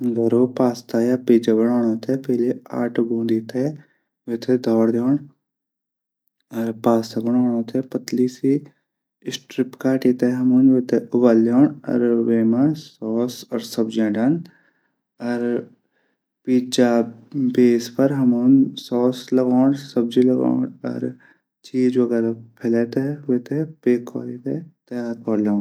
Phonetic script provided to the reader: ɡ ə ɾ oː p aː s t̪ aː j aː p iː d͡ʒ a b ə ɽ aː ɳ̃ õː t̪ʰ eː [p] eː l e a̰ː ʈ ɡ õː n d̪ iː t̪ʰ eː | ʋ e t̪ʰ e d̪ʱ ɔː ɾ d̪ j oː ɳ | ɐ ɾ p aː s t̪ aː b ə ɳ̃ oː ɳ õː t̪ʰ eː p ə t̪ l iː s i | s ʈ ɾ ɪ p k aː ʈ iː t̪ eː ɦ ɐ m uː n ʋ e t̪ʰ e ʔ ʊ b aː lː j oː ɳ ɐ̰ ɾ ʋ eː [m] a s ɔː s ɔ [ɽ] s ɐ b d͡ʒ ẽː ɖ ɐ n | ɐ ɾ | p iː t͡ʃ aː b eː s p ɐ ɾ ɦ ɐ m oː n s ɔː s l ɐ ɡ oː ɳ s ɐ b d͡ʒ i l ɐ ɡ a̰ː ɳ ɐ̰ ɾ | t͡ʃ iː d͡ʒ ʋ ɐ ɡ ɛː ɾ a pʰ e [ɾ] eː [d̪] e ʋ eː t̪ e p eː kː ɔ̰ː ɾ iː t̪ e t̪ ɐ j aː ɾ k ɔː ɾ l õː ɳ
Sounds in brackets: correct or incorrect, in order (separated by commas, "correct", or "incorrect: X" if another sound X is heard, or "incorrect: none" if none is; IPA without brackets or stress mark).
correct, correct, incorrect: ɾ, incorrect: l, incorrect: t̪